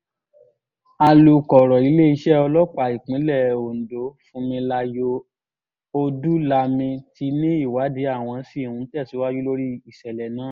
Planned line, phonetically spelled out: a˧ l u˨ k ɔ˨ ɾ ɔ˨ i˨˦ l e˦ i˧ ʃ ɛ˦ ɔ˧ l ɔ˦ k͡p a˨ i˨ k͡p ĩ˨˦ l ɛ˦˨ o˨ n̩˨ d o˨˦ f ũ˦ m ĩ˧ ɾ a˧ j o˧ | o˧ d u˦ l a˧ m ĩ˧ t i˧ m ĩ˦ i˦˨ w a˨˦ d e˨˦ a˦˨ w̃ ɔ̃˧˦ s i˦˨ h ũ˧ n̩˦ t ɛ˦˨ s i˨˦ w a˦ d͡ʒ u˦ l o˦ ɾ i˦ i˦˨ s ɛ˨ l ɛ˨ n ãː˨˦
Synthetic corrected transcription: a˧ l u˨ k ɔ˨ ɾ ɔ˨ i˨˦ l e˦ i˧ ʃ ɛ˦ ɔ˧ l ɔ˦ k͡p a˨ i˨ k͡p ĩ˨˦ l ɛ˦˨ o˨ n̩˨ d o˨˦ f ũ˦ m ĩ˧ l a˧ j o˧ | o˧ d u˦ l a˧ m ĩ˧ t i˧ n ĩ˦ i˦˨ w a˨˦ d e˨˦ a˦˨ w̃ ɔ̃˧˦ s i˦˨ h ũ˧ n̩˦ t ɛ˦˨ s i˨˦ w a˦ d͡ʒ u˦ l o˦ ɾ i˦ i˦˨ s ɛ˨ l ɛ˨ n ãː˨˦